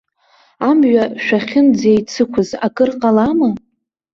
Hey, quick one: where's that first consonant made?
lips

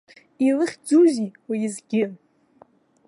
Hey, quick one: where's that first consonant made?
tongue tip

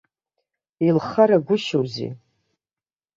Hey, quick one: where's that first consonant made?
tongue tip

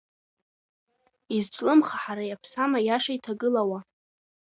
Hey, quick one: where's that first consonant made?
tongue tip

